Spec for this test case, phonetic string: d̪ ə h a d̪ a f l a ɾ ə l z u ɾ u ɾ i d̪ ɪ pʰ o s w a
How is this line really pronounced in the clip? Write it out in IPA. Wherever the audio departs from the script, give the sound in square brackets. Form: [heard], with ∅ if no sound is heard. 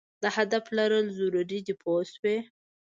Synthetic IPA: d̪ ə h a d̪ a f l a ɾ ə l z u ɾ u ɾ i d̪ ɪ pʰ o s w [e]